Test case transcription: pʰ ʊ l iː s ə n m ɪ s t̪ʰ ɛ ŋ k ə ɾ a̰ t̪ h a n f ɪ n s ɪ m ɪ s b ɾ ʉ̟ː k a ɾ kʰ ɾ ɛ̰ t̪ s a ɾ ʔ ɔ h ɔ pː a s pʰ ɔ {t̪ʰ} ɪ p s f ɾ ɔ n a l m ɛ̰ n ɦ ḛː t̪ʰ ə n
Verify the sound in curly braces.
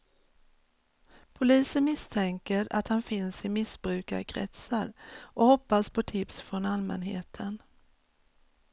correct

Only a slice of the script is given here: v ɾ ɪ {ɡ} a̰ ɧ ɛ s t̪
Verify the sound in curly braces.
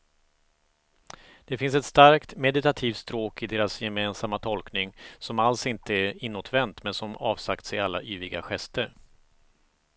correct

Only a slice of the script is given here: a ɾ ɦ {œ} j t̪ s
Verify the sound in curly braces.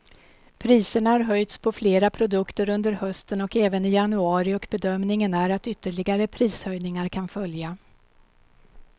correct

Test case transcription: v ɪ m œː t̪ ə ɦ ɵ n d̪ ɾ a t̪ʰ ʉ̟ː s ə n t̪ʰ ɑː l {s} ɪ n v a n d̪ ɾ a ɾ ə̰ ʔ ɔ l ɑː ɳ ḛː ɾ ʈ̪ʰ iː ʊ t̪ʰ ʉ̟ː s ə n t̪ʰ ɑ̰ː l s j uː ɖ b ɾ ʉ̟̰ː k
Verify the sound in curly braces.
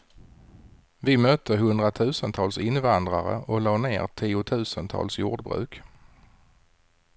correct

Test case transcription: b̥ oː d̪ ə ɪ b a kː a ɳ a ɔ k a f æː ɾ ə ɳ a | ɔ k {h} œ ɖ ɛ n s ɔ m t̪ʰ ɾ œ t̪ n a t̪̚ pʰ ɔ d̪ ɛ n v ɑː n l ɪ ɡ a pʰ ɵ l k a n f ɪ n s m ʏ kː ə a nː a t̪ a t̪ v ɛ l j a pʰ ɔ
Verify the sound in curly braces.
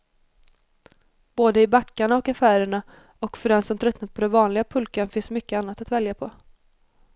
incorrect: f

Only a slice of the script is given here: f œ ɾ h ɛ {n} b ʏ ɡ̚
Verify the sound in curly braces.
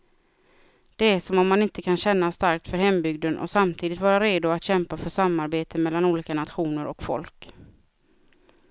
incorrect: m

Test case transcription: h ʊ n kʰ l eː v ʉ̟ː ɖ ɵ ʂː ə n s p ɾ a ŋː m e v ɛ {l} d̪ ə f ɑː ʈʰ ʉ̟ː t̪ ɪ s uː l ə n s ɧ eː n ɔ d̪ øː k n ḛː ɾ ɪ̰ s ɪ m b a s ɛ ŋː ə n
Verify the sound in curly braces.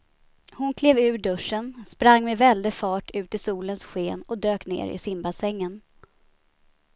correct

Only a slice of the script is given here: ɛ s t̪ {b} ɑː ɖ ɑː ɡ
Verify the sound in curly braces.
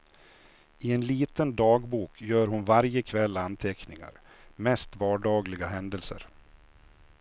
incorrect: v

